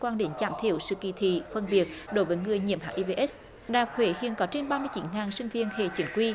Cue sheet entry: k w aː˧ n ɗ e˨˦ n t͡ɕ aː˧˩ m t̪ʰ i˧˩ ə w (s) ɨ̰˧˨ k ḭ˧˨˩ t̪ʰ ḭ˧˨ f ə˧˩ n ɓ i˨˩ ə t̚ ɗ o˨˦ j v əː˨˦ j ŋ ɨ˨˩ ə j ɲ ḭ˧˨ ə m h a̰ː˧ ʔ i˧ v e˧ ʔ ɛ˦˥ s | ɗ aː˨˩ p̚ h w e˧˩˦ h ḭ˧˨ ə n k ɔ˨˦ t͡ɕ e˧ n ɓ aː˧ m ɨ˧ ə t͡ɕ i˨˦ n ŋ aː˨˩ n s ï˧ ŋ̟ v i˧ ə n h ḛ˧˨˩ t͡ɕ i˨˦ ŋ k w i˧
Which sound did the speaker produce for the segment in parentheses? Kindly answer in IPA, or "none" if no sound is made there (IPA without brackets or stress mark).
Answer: s